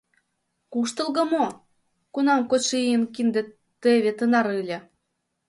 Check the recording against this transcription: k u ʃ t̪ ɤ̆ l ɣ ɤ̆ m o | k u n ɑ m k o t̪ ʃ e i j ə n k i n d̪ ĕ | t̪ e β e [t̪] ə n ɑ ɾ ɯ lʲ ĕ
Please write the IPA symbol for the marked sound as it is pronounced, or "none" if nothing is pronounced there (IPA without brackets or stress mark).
t̪